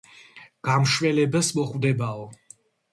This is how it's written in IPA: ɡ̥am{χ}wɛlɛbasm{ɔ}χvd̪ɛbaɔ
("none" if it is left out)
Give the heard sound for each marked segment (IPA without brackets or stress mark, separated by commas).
ʃ, ɔ